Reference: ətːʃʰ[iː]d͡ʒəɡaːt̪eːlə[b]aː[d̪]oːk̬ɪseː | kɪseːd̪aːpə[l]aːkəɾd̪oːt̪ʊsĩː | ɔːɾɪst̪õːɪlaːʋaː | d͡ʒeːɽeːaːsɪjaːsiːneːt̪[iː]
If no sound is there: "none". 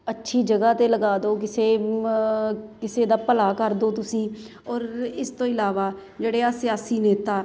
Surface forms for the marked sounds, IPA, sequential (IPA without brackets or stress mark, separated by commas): iː, ɡ, d̪, l, aː